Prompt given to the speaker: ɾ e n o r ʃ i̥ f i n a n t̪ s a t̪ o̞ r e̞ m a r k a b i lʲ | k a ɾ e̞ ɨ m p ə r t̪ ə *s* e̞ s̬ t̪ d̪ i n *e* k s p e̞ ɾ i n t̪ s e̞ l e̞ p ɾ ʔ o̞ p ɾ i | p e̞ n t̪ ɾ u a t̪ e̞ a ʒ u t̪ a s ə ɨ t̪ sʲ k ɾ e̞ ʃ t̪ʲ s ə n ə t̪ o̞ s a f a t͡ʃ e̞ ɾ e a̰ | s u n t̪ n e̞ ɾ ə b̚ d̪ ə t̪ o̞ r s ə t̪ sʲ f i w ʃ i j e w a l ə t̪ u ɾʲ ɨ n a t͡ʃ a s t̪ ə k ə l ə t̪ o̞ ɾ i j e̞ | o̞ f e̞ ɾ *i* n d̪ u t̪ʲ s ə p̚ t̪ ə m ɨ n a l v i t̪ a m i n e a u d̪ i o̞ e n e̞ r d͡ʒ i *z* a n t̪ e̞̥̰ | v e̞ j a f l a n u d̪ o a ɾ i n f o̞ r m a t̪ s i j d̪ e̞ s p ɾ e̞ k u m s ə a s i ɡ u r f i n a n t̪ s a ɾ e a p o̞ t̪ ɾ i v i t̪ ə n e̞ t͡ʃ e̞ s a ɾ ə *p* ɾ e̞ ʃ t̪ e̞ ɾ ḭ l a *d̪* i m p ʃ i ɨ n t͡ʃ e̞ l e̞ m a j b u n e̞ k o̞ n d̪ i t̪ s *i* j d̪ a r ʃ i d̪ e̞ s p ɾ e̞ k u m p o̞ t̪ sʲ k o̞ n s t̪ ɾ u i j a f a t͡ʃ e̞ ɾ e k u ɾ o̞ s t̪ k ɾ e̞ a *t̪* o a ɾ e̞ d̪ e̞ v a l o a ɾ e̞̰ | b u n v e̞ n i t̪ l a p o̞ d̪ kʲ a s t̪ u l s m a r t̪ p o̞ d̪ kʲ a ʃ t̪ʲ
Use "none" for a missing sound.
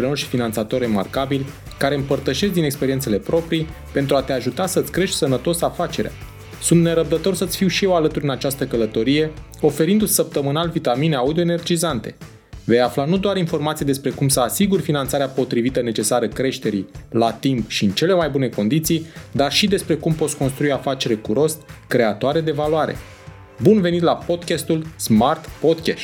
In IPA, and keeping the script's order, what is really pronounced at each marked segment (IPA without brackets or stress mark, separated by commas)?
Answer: ʃ, e, i, z, k, t̪, i, t̪